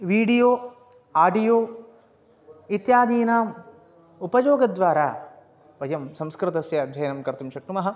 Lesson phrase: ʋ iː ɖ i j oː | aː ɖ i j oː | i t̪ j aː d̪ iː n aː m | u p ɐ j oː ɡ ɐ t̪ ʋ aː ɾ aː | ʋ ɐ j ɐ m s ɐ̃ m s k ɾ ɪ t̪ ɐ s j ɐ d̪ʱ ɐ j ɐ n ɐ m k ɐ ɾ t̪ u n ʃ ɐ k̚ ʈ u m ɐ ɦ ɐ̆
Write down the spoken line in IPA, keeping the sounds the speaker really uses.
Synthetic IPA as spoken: ʋ iː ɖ i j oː | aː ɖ i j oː | i t̪ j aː d̪ iː n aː m | u p ɐ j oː ɡ ɐ d̪ ʋ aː ɾ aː | ʋ ɐ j ɐ m s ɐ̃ m s k ɾ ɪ t̪ ɐ s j ɐ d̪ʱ ɐ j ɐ n ɐ m k ɐ ɾ t̪ u m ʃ ɐ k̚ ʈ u m ɐ ɦ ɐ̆